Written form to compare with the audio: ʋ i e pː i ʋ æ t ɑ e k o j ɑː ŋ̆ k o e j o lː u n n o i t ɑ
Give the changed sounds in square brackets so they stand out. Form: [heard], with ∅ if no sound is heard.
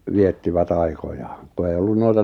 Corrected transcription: ʋ i e [tː] i ʋ æ t ɑ [i] k o j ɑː ŋ̆ k [u] e [i] o lː u n n o i t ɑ

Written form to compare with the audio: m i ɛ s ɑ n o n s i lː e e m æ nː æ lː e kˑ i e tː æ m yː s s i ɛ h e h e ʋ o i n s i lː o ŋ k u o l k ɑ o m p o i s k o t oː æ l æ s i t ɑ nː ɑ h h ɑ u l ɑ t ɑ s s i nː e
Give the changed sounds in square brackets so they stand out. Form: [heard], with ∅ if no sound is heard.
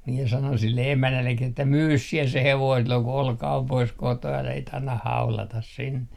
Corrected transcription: m i ɛ s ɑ n o n s i lː e e m æ nː æ lː e kˑ i e tː æ m yː s s i ɛ [s] e h e ʋ o i n s i lː o ŋ k u o l k ɑ o m p o i s k o t oː æ l æ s i t ɑ nː ɑ h h ɑ u l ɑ t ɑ s s i nː e

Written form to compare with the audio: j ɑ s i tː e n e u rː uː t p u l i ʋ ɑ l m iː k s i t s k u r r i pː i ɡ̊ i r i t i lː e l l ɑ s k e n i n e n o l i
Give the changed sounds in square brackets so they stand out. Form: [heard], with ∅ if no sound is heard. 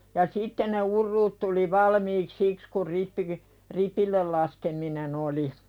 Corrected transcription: j ɑ s i tː e n e u rː uː t [t] u l i ʋ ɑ l m iː k s i [k] s k u r r i pː i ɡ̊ i r i [p] i lː e l l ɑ s k e [m] i n e n o l i

